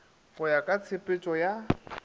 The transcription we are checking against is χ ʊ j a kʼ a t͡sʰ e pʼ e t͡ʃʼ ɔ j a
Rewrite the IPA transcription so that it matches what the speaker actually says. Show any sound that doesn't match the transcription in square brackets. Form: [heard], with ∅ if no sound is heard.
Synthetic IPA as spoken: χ ʊ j a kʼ a t͡sʰ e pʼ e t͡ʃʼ ɔ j a